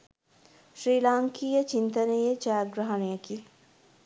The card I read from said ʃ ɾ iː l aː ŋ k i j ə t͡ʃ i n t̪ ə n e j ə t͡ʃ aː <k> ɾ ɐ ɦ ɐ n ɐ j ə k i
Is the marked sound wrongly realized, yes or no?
yes